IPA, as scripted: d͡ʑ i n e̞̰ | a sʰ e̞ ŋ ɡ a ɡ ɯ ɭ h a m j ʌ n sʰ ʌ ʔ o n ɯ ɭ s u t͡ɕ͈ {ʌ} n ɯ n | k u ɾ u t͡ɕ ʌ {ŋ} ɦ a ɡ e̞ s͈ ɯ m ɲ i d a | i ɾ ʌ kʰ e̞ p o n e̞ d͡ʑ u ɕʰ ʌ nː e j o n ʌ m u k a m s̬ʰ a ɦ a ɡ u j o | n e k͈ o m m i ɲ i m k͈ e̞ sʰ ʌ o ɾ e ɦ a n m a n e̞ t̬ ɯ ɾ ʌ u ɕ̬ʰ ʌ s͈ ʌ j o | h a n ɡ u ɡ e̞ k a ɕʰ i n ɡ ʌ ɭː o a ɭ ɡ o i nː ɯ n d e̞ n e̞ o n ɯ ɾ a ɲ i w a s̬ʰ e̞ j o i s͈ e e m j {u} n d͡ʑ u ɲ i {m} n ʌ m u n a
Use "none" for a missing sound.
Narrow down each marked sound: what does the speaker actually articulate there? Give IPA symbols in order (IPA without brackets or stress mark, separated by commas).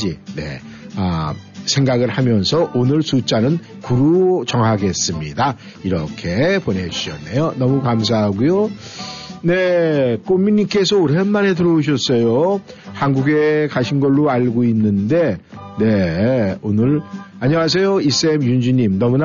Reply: a, ŋ, u, m